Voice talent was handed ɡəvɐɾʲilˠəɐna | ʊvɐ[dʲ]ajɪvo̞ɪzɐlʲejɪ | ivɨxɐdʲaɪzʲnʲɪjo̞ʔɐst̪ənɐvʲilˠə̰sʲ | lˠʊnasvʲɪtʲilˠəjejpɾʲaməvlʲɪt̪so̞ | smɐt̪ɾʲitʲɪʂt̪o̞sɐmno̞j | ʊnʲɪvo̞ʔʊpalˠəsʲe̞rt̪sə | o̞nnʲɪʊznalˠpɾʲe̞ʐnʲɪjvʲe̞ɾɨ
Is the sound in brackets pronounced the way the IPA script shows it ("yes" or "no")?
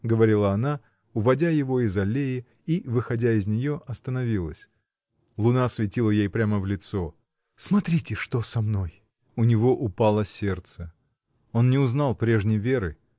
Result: yes